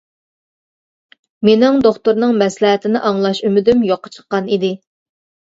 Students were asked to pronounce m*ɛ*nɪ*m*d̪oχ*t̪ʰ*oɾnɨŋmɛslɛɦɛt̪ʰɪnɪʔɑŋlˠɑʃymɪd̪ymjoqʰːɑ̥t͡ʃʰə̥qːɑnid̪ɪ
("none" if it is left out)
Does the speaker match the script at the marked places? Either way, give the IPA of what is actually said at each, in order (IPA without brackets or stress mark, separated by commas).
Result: e, ŋ, t̪